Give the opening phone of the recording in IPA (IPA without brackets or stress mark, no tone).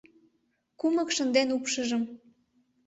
k